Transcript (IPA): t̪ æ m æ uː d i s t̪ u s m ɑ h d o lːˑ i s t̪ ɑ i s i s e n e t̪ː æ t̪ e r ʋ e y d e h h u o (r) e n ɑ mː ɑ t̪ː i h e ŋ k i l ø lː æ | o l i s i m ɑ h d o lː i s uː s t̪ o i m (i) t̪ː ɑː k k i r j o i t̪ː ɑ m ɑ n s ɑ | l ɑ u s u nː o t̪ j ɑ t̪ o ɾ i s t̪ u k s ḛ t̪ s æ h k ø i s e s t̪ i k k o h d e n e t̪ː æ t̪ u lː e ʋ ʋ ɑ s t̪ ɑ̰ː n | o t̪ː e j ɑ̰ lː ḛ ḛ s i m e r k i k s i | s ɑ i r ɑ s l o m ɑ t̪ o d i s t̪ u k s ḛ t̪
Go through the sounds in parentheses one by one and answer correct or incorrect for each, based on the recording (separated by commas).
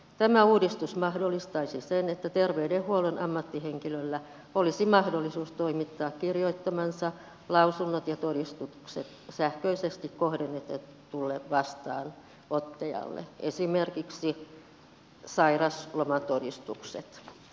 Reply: incorrect, correct